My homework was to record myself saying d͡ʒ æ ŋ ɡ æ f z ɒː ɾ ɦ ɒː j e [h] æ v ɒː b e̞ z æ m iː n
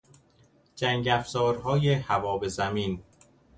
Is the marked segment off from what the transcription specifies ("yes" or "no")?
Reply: no